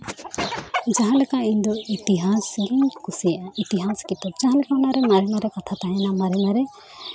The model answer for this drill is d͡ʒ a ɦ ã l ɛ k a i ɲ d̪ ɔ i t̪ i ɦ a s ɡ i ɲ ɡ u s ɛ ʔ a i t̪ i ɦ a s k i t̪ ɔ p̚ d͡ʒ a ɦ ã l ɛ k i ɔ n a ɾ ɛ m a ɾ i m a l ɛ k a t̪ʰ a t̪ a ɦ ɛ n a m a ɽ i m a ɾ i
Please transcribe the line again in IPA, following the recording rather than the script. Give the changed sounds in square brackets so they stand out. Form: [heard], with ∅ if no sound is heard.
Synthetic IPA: d͡ʒ a ɦ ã l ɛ k a i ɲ d̪ ɔ i t̪ i ɦ a s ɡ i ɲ [k] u s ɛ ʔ a i t̪ i ɦ a s k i t̪ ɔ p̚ d͡ʒ a ɦ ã l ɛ k [a] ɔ n a ɾ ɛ m a ɾ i m a [ɾ] ɛ k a t̪ʰ a t̪ a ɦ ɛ n a m a [ɾ] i m a ɾ [ɛ]